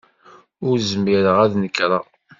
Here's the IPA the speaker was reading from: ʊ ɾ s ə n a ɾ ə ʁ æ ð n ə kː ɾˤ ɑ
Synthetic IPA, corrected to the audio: ʊ ɾ z ə m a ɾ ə ʁ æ ð n ə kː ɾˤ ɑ